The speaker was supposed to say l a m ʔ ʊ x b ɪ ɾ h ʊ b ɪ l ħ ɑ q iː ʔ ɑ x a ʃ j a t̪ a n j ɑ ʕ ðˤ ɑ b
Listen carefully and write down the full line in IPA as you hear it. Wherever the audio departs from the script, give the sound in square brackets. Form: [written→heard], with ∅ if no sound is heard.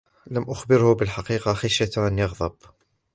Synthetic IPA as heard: l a m ʔ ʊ x b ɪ ɾ h ʊ b ɪ l ħ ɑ q iː [ʔ→q] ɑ x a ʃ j a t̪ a n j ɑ [ʕ→ɣ] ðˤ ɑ b